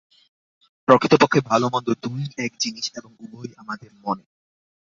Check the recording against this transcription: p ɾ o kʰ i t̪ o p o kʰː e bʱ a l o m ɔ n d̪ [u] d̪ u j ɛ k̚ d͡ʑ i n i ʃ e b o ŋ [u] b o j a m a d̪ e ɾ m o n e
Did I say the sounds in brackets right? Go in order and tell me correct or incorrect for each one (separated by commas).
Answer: incorrect, correct